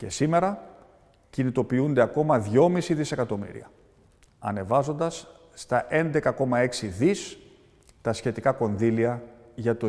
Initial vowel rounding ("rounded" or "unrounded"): unrounded